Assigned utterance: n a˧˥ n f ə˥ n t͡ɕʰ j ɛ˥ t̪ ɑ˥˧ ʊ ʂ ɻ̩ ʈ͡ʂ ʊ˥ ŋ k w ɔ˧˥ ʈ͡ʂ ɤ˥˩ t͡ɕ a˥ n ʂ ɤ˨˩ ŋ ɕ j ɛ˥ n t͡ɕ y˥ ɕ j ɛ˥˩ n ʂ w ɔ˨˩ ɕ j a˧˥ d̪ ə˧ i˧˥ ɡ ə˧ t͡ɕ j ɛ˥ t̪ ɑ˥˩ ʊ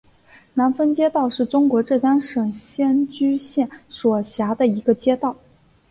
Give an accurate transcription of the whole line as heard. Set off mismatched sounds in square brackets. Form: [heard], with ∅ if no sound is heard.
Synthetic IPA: n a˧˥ n f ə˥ n [t͡ɕ] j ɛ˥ t̪ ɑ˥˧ ʊ ʂ ɻ̩ ʈ͡ʂ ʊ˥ ŋ k w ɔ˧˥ ʈ͡ʂ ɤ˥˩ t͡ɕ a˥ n ʂ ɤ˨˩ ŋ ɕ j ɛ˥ n t͡ɕ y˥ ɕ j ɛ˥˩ n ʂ w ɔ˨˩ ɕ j a˧˥ d̪ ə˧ i˧˥ ɡ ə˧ t͡ɕ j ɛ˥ t̪ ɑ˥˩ ʊ

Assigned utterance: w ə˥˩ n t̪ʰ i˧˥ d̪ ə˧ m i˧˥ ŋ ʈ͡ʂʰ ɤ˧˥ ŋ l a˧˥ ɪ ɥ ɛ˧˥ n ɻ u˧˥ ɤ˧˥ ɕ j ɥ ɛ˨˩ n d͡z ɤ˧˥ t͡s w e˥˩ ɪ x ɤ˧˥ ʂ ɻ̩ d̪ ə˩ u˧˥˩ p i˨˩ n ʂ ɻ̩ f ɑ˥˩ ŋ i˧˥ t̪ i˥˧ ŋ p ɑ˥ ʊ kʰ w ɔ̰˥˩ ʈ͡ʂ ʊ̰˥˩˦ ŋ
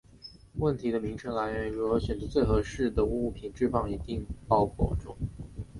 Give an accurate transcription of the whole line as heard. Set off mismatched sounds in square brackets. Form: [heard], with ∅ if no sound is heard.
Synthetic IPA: w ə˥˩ n t̪ʰ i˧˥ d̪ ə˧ m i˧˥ ŋ ʈ͡ʂʰ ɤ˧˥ ŋ l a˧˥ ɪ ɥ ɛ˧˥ n ɻ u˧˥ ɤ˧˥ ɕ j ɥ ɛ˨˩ n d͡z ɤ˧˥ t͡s w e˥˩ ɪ x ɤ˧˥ ʂ ɻ̩ d̪ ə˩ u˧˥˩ [pʰ] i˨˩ n [ʈ͡ʂ] ɻ̩ f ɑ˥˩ ŋ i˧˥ t̪ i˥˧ ŋ p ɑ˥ ʊ kʰ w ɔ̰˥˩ ʈ͡ʂ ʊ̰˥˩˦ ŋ

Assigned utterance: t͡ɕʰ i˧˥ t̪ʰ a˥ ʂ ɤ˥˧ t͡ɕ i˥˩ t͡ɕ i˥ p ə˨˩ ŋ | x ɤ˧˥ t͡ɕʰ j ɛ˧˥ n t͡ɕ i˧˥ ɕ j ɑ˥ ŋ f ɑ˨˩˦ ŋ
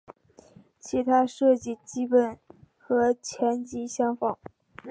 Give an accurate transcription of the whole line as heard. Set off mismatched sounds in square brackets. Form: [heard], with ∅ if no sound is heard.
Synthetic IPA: t͡ɕʰ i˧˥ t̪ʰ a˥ ʂ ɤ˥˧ t͡ɕ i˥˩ t͡ɕ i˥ p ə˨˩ [n] | x ɤ˧˥ t͡ɕʰ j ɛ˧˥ n t͡ɕ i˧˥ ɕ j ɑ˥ ŋ f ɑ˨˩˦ ŋ

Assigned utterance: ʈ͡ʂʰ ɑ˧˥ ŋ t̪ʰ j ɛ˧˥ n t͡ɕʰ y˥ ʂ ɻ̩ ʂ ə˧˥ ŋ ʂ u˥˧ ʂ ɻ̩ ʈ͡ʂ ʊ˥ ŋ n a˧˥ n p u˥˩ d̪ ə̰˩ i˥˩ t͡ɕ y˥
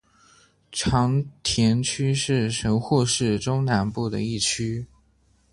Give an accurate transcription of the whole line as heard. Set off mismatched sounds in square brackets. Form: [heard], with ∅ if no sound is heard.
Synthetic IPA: ʈ͡ʂʰ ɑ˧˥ ŋ t̪ʰ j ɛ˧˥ n t͡ɕʰ y˥ ʂ ɻ̩ ʂ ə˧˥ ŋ [x] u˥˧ ʂ ɻ̩ ʈ͡ʂ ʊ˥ ŋ n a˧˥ n p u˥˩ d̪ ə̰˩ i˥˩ [t͡ɕʰ] y˥

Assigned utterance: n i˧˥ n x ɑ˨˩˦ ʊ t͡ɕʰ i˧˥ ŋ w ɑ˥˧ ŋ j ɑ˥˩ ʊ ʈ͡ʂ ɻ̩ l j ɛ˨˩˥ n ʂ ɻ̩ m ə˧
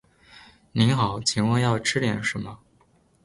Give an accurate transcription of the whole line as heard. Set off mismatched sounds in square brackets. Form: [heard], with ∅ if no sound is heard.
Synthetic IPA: n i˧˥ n x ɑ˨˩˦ ʊ t͡ɕʰ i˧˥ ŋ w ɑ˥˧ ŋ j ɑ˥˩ ʊ [ʈ͡ʂʰ] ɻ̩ l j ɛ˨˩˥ n ʂ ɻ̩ m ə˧

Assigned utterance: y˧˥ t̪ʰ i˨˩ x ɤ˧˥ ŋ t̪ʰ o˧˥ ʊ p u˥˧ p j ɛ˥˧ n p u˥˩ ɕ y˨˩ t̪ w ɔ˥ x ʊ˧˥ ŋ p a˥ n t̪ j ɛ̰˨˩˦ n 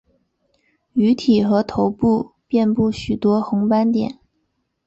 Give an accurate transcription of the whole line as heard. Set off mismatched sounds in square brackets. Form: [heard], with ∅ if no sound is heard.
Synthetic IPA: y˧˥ t̪ʰ i˨˩ x ɤ˧˥ [∅] t̪ʰ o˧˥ ʊ p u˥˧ p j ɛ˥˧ n p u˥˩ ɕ y˨˩ t̪ w ɔ˥ x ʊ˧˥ ŋ p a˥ n t̪ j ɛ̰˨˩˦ n

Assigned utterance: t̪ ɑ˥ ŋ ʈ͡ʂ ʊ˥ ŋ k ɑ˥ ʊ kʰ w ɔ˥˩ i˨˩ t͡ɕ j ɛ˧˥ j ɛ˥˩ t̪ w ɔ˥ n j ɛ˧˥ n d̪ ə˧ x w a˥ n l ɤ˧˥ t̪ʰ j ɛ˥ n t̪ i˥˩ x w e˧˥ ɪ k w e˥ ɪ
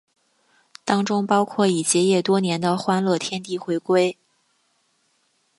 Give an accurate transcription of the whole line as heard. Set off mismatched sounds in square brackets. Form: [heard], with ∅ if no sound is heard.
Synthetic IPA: t̪ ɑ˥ ŋ ʈ͡ʂ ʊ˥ ŋ [p] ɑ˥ ʊ kʰ w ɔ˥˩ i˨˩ t͡ɕ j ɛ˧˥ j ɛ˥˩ t̪ w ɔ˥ n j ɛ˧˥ n d̪ ə˧ x w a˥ n l [ɤ˥˩] t̪ʰ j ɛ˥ n t̪ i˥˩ x w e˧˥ ɪ k w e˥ ɪ

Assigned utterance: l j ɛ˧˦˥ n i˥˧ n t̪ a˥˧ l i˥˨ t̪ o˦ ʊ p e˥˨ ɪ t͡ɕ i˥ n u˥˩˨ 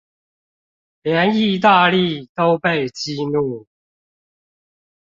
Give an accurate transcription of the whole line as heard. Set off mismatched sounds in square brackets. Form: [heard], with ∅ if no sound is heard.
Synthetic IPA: l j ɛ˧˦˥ n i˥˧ [∅] t̪ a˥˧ l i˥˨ t̪ o˦ ʊ p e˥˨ ɪ t͡ɕ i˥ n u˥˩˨

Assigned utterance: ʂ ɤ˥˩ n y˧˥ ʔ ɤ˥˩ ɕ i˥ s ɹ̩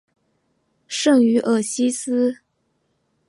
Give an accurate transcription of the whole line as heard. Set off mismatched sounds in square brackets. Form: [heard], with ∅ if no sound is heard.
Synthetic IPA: ʂ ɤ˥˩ [ŋ] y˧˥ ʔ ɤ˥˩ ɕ i˥ s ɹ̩

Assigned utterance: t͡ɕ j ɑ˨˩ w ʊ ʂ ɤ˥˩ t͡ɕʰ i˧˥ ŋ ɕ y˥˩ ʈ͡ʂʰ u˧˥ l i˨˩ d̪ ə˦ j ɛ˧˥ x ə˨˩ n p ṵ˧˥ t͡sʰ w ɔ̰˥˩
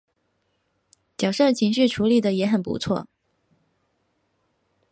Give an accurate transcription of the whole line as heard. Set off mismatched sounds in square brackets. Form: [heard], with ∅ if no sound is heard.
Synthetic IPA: t͡ɕ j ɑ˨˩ [∅] ʊ ʂ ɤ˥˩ t͡ɕʰ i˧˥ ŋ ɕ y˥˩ ʈ͡ʂʰ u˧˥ l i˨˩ d̪ [ə˩] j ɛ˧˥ x ə˨˩ n p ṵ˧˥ t͡sʰ w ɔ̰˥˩

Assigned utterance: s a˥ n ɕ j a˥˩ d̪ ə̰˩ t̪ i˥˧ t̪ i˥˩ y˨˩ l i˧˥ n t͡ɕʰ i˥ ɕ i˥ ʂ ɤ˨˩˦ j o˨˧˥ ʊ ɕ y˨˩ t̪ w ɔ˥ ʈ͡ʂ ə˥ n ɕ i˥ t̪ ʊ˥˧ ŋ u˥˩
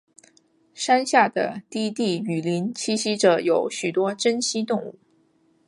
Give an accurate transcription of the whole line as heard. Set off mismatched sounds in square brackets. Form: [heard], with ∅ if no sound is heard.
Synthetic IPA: [ʂ] a˥ n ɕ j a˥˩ d̪ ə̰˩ t̪ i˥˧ t̪ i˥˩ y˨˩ l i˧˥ n t͡ɕʰ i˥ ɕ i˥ [ʈ͡ʂ] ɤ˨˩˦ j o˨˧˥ ʊ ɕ y˨˩ t̪ w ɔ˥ ʈ͡ʂ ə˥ n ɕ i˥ t̪ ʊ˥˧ ŋ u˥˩

